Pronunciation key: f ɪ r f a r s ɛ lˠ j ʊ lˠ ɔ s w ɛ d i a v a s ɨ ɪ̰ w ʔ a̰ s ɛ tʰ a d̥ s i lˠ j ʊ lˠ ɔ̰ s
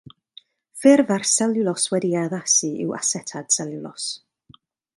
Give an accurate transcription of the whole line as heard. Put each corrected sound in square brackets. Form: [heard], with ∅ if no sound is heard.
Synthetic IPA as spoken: f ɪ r [v] a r s ɛ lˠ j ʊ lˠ ɔ s w ɛ d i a [ð] a s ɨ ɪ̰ w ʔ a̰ s ɛ tʰ a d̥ s [ɛ] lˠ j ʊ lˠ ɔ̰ s